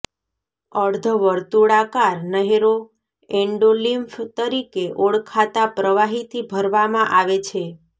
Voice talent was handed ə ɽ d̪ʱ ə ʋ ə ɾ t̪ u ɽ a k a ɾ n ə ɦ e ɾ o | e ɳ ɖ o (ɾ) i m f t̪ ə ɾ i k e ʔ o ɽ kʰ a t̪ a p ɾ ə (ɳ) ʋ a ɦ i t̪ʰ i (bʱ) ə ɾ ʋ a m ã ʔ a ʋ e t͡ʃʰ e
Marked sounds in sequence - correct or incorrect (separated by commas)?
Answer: incorrect, incorrect, correct